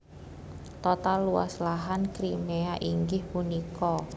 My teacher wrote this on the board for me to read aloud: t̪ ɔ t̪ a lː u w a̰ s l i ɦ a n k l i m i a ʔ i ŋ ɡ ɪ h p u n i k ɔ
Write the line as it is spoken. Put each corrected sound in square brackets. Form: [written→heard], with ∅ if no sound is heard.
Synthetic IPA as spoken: t̪ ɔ t̪ a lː u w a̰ s l [i→a] ɦ a n k [l→ɾ] i m [i→e] a ʔ i ŋ ɡ ɪ h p u n i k ɔ